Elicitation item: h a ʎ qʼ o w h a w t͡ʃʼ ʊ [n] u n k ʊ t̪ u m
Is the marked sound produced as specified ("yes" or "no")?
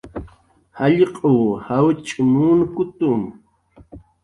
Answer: no